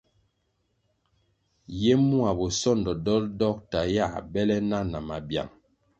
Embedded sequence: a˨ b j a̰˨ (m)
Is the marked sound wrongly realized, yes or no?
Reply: yes